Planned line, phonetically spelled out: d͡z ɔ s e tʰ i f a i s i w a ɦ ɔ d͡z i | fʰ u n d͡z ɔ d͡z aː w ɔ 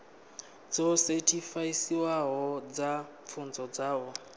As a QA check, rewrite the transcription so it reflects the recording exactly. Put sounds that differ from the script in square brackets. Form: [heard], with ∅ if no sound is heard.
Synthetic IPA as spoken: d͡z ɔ s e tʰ i f a i s i w a ɦ ɔ d͡z [a] | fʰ u n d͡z ɔ d͡z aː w ɔ